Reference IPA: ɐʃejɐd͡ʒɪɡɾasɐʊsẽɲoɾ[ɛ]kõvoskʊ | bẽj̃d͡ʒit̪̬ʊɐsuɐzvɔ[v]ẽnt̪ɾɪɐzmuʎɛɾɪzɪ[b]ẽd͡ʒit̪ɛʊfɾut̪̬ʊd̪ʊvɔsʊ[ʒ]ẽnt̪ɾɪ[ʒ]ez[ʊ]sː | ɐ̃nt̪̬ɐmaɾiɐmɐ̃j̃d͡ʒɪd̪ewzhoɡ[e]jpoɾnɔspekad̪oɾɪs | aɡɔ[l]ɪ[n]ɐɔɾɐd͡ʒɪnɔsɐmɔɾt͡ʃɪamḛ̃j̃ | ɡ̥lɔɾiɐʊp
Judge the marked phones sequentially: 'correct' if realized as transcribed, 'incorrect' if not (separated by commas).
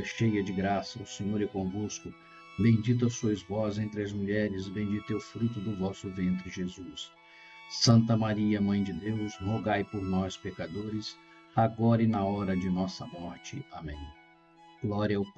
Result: correct, incorrect, correct, incorrect, correct, incorrect, incorrect, incorrect, correct